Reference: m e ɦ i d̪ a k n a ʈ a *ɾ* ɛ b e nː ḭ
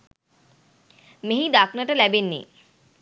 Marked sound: incorrect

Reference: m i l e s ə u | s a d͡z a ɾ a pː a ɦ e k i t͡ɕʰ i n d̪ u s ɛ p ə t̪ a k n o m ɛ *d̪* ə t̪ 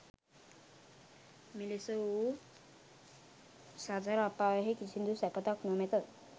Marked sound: incorrect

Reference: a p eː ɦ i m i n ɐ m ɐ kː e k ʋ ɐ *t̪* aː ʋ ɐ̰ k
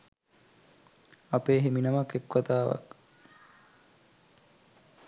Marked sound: correct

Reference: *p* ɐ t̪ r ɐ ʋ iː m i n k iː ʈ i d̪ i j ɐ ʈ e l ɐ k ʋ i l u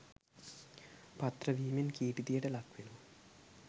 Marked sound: correct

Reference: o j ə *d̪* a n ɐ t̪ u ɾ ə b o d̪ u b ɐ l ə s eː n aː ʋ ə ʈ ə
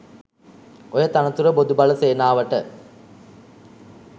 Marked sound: incorrect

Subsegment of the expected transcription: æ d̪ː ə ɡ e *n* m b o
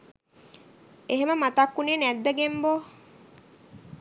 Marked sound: incorrect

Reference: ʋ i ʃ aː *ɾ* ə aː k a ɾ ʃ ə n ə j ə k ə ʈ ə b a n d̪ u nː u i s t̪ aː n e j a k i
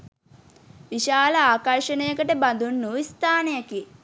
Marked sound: incorrect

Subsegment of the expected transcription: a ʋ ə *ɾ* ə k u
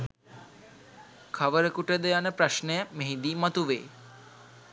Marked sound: correct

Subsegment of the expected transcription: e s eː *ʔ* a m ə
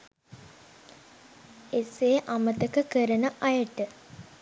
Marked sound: correct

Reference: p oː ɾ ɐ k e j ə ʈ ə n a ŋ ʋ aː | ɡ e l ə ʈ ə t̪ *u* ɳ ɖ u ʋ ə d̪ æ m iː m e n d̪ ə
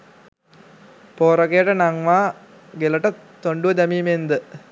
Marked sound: incorrect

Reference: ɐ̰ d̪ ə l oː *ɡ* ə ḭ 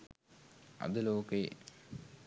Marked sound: incorrect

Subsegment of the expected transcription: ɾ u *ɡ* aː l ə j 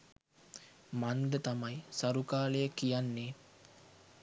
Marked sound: incorrect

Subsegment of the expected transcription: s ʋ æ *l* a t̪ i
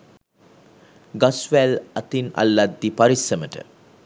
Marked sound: correct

